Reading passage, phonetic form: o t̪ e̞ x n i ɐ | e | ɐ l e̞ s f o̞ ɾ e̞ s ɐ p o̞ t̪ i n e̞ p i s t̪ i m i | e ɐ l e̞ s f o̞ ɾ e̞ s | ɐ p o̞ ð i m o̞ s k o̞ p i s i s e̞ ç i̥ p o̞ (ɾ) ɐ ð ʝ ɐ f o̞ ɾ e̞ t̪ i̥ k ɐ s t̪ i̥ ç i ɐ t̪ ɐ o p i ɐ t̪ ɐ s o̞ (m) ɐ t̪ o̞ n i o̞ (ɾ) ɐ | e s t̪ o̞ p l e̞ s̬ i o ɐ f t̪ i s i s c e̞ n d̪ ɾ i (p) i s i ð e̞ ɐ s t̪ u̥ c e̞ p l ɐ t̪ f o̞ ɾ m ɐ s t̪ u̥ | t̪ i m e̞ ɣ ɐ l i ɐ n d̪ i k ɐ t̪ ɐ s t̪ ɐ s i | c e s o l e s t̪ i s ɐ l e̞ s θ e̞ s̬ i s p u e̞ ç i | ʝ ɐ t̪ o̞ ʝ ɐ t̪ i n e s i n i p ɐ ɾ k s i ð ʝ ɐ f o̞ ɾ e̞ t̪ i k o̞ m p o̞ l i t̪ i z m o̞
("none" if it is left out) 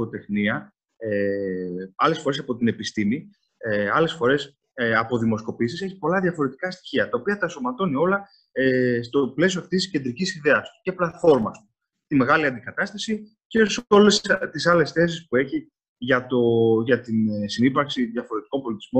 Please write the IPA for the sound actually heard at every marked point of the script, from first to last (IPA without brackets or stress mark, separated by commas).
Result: l, m, l, c